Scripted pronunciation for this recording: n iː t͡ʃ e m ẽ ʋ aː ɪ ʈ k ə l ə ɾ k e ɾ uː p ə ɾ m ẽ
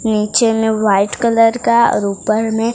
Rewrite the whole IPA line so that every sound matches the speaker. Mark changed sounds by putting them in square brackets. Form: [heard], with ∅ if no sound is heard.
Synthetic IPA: n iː t͡ʃ e m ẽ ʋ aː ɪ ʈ k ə l ə ɾ k [a] ɾ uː p ə ɾ m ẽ